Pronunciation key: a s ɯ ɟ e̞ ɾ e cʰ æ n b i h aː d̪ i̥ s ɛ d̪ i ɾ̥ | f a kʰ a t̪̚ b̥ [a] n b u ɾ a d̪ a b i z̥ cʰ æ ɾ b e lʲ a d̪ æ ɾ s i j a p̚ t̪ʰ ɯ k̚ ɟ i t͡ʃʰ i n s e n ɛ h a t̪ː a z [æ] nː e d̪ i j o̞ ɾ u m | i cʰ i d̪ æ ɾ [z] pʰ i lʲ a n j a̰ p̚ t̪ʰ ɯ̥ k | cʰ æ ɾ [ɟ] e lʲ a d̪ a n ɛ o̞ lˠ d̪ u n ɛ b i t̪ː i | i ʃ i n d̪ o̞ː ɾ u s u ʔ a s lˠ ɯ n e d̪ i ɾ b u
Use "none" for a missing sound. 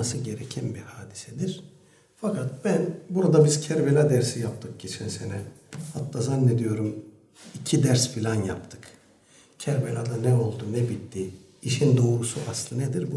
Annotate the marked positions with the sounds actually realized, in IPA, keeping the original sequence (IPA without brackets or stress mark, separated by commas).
æ, a, s, b